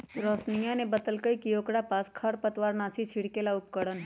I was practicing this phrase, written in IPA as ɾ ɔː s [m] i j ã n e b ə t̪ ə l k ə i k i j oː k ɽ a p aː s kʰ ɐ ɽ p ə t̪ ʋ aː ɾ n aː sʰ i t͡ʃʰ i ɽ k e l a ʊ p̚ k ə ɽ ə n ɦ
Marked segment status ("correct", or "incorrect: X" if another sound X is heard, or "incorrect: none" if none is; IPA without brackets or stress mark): incorrect: n